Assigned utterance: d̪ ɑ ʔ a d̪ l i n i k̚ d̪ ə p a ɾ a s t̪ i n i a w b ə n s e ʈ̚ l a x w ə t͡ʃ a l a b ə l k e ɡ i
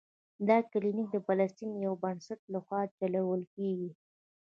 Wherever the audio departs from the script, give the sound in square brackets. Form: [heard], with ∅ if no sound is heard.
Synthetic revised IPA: d̪ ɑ [k] a [∅] l i n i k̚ d̪ ə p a [l] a s t̪ i n [j] a w b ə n s [a] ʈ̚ l a x w [ɑ] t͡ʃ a l a [w] ə l k e ɡ i